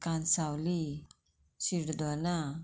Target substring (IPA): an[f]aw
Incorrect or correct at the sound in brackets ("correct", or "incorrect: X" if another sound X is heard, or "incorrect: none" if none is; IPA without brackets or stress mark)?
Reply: incorrect: s